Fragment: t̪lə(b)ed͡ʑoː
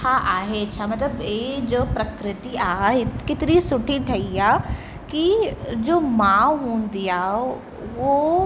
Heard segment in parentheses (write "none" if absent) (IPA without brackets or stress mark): b